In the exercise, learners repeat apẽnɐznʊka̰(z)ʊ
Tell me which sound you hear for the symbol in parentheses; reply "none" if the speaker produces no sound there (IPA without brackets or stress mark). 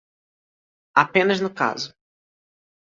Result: z